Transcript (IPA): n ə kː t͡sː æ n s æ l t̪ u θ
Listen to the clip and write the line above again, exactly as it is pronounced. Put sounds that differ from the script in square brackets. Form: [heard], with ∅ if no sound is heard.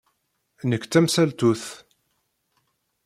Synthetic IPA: n ə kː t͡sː æ [m] s æ l t̪ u θ